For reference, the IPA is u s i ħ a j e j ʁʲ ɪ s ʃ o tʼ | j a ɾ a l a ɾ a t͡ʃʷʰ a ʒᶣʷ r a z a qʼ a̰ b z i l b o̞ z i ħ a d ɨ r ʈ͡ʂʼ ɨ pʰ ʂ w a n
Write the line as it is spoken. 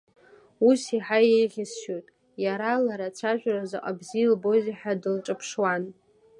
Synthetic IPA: u s i ħ a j e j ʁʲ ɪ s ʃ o tʼ | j a ɾ a l a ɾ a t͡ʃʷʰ a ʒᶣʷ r a z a qʼ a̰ b z i l b o̞ z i ħ a d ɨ l ʈ͡ʂʼ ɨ pʰ ʂ w a n